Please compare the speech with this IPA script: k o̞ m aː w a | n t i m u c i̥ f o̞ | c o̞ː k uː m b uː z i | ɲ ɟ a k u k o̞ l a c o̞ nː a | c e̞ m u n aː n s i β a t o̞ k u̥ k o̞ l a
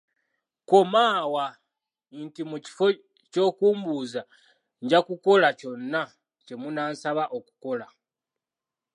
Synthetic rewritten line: k o̞ m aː w a | n t i m u c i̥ f o̞ | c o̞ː k uː m b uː z a | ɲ ɟ a k u k o̞ l a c o̞ nː a | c e̞ m u n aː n s a β a ʔ o̞ k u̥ k o̞ l a